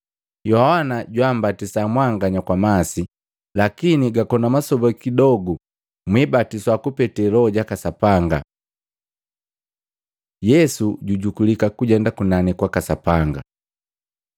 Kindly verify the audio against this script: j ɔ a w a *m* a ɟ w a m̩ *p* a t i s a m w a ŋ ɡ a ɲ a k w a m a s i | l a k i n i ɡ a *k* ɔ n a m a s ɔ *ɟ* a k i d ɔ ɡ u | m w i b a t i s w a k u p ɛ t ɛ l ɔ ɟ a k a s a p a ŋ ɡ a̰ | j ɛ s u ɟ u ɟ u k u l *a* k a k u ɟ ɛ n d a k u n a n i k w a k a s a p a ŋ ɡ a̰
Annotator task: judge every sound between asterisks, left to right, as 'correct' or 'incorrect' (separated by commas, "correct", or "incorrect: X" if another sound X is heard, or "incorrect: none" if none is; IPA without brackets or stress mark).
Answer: incorrect: n, incorrect: b, correct, incorrect: b, incorrect: i